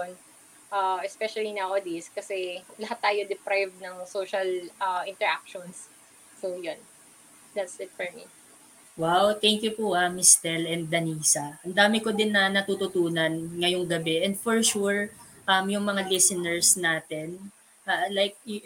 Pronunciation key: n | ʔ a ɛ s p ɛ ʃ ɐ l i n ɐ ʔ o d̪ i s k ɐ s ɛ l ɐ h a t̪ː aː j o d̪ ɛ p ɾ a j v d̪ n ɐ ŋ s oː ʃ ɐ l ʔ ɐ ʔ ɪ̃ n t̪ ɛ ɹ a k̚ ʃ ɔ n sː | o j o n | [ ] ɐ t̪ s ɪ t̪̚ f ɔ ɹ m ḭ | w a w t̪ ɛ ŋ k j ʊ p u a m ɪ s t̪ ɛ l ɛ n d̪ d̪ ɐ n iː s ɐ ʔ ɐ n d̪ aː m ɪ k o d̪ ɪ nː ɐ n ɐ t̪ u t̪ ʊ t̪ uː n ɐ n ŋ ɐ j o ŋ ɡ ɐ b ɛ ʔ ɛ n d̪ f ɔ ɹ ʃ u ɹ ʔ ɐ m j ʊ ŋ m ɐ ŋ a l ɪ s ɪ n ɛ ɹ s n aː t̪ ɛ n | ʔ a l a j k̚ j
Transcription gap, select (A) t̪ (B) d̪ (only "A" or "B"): B